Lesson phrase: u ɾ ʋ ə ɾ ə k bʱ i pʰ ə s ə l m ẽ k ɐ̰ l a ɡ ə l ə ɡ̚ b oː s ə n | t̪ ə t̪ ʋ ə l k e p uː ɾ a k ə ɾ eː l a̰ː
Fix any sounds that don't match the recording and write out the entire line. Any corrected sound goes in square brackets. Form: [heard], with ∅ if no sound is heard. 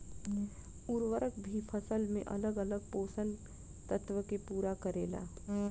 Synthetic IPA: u ɾ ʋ ə ɾ ə k bʱ i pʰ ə s ə l m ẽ [ʔ] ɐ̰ l [ə] ɡ ə l ə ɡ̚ [p] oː s ə n | t̪ ə t̪ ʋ ə [∅] k e p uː ɾ a k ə ɾ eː l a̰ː